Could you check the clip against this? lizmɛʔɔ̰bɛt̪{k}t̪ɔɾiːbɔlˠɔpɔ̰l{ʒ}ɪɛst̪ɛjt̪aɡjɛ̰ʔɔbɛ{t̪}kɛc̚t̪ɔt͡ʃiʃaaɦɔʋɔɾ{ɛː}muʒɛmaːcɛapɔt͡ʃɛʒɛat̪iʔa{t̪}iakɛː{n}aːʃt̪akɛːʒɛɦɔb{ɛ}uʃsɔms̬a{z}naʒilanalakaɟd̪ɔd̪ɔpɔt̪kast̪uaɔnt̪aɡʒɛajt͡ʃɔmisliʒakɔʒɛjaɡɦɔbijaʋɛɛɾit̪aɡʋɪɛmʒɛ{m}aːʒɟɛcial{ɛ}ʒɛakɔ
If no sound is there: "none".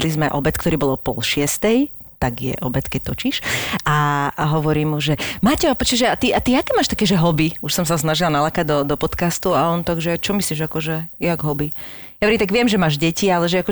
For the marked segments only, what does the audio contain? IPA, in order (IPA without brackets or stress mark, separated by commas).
k, ʃ, t̪, iː, t̪, m, i, s, m, ɛ